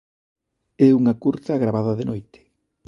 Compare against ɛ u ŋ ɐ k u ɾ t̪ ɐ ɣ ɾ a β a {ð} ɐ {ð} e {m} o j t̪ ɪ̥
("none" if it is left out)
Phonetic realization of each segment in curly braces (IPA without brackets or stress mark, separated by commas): ð, ð, n